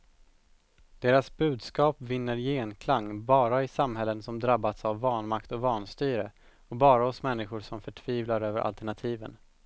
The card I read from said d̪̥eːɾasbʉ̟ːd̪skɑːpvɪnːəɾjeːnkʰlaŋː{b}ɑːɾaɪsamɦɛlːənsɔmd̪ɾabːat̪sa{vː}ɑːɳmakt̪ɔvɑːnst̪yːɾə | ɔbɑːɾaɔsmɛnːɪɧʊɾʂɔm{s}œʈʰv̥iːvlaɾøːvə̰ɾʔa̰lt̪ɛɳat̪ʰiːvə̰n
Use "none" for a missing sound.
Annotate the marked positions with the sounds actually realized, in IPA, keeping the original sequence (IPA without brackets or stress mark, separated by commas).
b, vː, f